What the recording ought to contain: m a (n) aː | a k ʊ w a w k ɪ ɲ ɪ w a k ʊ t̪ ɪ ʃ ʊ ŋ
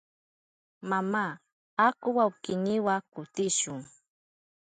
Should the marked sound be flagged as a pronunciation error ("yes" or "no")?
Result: yes